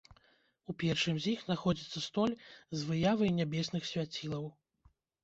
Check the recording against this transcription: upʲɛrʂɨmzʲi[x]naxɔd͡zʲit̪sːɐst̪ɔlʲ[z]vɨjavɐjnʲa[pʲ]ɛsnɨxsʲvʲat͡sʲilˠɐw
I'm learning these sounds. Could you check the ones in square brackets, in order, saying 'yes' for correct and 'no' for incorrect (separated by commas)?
yes, yes, no